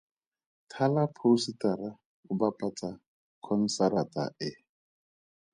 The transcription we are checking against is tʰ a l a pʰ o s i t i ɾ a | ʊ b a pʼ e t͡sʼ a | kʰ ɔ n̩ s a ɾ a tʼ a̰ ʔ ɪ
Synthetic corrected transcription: tʰ a l a pʰ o s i t a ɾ a | ʊ b a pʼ a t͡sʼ a | kʰ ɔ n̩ s a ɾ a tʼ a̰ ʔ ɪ

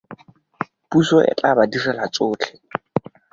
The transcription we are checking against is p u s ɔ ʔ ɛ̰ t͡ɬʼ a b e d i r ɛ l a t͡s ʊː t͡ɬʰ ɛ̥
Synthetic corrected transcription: p u s ɔ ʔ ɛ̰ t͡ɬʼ a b a d i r ɛ l a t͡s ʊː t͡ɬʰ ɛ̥

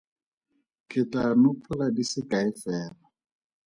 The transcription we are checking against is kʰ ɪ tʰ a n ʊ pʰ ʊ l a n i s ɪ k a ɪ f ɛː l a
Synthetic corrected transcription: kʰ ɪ t a n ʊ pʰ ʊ l a d i s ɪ k a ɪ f ɛː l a

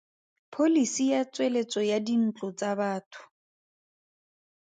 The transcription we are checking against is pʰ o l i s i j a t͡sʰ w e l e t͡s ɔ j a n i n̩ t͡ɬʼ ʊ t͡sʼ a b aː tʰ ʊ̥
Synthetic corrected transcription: pʰ o l i s i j a t͡s w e l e t͡s ɔ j a d i n̩ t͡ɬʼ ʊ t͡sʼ a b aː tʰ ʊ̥

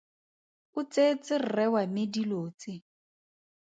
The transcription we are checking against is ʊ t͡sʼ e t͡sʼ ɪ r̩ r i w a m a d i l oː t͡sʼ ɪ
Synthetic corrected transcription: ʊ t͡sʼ e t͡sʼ ɪ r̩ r ɛ w a m e d i l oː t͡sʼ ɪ

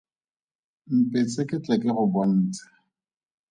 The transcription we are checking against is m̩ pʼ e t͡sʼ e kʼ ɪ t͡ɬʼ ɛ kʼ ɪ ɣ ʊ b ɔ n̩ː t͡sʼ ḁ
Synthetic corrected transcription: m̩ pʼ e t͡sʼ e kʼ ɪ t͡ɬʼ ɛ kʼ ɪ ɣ ʊ b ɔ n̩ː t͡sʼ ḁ

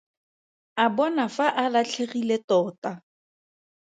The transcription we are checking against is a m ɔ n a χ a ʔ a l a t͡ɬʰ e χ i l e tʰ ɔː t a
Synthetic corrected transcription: a b ɔ n a f a ʔ a l a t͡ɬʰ e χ i l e t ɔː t a

